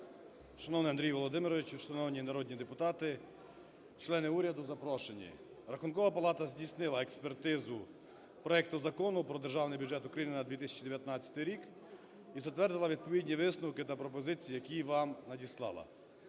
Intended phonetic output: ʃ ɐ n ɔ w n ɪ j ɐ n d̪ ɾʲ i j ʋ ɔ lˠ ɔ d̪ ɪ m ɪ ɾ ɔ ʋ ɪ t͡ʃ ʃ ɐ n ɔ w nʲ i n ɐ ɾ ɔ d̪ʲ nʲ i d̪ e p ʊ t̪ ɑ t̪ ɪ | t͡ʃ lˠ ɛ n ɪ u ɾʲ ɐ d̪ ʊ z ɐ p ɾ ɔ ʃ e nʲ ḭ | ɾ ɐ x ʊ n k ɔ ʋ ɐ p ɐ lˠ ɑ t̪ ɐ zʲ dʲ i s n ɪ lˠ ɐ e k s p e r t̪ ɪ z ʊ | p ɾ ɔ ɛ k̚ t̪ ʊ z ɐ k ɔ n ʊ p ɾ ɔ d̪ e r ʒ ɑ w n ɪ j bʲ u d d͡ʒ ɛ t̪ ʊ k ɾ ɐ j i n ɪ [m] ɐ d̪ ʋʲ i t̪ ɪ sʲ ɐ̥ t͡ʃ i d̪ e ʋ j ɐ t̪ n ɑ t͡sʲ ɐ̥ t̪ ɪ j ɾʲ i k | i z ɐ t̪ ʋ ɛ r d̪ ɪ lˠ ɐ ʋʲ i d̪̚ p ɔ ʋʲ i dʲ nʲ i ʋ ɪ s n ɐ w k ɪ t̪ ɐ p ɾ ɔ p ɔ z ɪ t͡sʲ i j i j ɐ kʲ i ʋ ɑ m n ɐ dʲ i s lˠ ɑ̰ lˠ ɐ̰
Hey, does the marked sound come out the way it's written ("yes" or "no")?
no